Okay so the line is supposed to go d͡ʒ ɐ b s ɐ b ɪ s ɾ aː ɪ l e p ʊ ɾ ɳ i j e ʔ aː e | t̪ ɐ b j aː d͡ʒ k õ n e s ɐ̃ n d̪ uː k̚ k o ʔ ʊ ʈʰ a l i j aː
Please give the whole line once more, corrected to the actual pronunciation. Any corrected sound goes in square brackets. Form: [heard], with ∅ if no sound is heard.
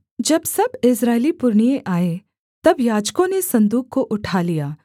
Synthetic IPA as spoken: d͡ʒ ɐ b s ɐ b ɪ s ɾ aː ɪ l [i] p ʊ ɾ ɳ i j e ʔ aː e | t̪ ɐ b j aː d͡ʒ k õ n e s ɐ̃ n d̪ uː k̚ k o ʔ ʊ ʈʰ a l i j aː